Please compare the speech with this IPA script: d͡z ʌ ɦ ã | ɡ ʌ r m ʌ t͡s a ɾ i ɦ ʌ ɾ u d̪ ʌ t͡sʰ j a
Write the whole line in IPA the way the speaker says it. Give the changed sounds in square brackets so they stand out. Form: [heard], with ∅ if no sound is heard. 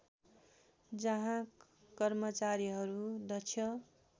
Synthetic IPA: d͡z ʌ ɦ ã | [k] ʌ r m ʌ t͡s a ɾ i ɦ ʌ ɾ u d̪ ʌ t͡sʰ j [ʌ]

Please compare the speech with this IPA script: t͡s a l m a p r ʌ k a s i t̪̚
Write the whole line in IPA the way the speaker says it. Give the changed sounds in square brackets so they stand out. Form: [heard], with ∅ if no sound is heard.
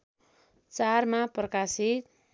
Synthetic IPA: t͡s a [r] m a p r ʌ k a s i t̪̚

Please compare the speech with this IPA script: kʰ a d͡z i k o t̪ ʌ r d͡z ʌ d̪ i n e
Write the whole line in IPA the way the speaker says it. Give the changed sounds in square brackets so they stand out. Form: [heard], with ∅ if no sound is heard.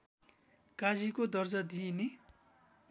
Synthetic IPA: [k] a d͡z i k o [d̪] ʌ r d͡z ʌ d̪ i n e

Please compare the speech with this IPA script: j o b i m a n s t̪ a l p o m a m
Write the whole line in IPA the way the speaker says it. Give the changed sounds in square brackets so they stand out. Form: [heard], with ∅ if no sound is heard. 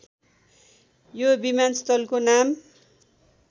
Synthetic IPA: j o b i m a n s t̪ [ʌ] l [k] o [n] a m

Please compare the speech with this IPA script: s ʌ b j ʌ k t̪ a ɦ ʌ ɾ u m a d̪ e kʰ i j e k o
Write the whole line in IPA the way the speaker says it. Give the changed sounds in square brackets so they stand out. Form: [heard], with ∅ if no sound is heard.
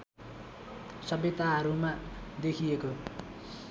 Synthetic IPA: s ʌ b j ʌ [∅] t̪ a ɦ ʌ ɾ u m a d̪ e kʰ i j e k o

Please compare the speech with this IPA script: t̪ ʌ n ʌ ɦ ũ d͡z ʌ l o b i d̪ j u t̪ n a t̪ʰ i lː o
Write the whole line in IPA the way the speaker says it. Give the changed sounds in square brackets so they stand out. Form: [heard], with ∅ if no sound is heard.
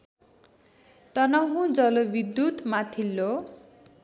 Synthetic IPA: t̪ ʌ n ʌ ɦ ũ d͡z ʌ l o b i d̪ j u t̪ [m] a t̪ʰ i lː o

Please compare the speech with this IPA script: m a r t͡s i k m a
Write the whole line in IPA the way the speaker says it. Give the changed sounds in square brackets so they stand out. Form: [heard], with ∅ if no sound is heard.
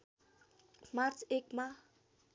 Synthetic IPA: m a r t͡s [e] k m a

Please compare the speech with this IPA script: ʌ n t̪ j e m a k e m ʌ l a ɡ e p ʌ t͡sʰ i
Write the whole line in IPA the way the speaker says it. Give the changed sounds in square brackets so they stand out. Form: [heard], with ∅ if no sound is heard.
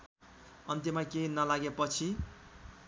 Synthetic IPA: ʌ n t̪ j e m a k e [n] ʌ l a ɡ e p ʌ t͡sʰ i

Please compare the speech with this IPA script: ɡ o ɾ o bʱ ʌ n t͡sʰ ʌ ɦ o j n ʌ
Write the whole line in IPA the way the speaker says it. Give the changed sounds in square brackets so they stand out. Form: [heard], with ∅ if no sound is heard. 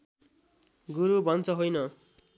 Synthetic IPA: ɡ [u] ɾ [u] bʱ ʌ n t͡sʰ ʌ ɦ o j n ʌ

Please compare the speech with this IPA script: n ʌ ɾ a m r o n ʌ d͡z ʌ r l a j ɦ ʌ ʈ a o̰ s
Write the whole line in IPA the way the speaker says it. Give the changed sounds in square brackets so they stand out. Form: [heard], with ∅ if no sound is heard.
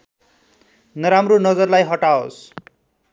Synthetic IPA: n ʌ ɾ a m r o n ʌ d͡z ʌ r l a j ɦ ʌ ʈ a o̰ s

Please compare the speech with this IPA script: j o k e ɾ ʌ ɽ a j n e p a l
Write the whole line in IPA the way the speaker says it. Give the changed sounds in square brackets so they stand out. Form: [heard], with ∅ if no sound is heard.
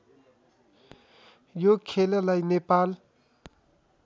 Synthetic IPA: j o [kʰ] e [l] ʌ [l] a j n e p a l

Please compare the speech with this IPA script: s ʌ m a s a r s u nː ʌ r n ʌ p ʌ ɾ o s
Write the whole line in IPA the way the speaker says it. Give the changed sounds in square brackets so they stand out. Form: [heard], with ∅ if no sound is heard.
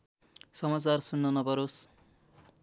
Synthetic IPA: s ʌ m a [t͡s] a r s u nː ʌ [∅] n ʌ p ʌ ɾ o s

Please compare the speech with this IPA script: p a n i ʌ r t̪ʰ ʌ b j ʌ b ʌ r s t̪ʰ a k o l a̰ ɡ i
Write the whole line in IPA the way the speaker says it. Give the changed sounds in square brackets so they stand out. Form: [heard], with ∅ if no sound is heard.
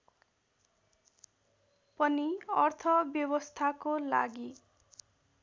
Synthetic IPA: p [ʌ] n i ʌ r t̪ʰ ʌ b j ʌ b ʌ [∅] s t̪ʰ a k o l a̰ ɡ i

